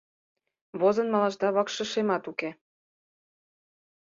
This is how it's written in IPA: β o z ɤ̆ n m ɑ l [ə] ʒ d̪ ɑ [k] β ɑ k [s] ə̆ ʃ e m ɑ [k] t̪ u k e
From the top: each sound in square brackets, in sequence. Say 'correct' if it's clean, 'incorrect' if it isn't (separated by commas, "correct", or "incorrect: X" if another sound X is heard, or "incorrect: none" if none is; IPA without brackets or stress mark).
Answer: incorrect: ɑ, incorrect: none, incorrect: ʃ, incorrect: none